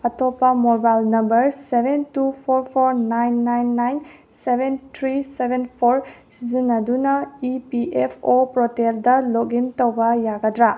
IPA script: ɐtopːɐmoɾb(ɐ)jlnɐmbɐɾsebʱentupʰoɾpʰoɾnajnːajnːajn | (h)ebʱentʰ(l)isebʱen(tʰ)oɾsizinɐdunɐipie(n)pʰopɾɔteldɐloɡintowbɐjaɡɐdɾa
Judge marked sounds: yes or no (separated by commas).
no, no, no, no, no